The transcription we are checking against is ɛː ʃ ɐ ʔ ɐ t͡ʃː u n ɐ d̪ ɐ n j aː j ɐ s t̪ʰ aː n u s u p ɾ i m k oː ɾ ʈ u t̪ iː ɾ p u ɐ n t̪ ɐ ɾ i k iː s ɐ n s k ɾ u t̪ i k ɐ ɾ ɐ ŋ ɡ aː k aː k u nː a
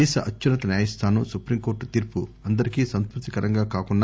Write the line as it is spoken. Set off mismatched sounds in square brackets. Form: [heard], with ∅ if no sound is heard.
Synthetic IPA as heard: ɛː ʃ ɐ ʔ ɐ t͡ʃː u n ɐ [t̪] ɐ n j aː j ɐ s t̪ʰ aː n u s u p ɾ i m k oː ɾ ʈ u t̪ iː ɾ p u ɐ n [d̪] ɐ ɾ i k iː s ɐ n s k ɾ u t̪ i k ɐ ɾ ɐ ŋ ɡ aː k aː k u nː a